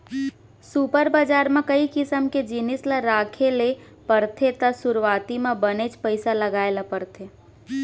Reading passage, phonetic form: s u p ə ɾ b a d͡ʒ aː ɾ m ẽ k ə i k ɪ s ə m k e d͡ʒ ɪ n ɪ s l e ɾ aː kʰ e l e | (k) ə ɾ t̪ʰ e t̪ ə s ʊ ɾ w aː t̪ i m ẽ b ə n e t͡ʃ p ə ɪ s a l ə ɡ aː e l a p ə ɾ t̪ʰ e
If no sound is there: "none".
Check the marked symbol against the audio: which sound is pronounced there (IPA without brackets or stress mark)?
p